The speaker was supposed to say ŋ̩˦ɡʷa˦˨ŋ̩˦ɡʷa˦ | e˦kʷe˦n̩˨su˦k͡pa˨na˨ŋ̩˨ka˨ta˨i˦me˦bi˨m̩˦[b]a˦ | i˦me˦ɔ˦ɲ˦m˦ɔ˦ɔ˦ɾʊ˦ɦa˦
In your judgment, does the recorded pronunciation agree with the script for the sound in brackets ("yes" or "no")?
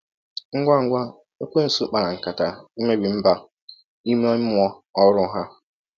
yes